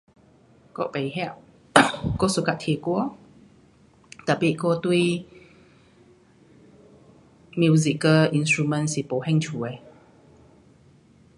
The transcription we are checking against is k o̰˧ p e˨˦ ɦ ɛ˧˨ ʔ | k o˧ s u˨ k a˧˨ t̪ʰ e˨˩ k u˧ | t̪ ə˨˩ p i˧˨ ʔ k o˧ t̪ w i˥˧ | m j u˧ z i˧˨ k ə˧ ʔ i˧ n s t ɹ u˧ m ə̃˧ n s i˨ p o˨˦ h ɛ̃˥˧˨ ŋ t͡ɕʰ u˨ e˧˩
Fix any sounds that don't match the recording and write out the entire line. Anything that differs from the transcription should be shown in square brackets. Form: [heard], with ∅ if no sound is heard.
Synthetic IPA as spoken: k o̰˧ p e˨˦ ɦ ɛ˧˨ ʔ | k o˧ s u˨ k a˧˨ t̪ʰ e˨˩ k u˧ | t̪ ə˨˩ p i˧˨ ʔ k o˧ t̪ w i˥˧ | m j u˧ z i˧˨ k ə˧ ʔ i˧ n s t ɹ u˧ m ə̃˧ n s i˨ p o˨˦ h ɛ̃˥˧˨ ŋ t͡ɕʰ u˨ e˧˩

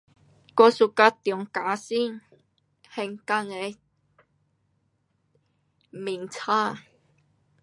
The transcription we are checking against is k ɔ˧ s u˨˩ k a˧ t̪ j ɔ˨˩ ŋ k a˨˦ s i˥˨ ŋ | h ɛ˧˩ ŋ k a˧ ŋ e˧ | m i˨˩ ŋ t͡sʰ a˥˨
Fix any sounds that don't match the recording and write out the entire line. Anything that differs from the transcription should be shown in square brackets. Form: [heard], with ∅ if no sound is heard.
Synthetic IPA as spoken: k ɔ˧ s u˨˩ k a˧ t̪ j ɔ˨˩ ŋ k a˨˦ s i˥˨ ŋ | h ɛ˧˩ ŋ k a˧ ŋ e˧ | m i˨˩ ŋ t͡sʰ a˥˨

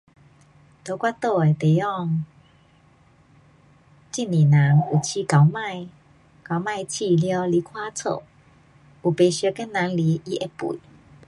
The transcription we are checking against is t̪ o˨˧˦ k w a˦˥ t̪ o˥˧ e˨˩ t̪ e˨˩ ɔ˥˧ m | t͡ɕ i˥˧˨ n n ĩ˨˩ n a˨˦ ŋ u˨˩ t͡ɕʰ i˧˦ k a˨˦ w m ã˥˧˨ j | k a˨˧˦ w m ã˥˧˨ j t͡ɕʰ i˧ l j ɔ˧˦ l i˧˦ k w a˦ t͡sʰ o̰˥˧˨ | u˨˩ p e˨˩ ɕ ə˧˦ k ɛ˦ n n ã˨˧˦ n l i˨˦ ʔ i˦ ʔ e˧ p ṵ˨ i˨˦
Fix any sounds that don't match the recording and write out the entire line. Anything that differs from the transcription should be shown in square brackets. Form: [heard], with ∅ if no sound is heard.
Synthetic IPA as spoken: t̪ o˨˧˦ k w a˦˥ t̪ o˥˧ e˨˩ t̪ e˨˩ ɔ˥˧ [ŋ] | t͡ɕ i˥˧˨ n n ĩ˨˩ n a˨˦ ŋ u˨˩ t͡ɕʰ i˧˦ k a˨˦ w m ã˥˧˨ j | k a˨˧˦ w m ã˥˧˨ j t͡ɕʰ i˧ l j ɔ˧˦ l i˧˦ [kʰ] w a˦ t͡sʰ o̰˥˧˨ | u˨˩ p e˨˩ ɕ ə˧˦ k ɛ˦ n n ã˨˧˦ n l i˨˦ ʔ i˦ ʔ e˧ p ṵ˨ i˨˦

